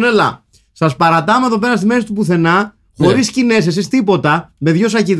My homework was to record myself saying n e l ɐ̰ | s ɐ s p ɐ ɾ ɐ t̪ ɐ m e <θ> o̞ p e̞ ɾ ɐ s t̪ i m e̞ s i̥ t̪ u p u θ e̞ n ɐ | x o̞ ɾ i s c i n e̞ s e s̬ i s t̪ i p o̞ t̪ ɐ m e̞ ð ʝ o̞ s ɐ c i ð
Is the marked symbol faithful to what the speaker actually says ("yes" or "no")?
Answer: no